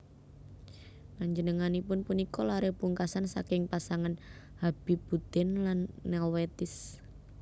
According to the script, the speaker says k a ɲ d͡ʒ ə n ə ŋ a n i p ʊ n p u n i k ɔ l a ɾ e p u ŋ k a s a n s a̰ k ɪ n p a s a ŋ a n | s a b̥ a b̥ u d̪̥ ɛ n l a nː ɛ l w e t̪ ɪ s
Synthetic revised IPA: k a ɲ d͡ʒ ə n ə ŋ a n i p ʊ n p u n i k ɔ l a ɾ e p u ŋ k a s a n s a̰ k ɪ ŋ p a s a ŋ a n | h a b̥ i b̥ u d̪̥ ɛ n l a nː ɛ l w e t̪ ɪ s